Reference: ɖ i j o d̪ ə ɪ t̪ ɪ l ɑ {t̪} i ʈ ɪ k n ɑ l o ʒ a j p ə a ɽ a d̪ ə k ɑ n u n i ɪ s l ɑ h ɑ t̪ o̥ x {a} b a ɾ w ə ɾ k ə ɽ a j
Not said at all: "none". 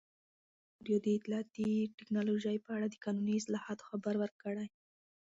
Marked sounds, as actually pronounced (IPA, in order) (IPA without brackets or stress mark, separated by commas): t̪, a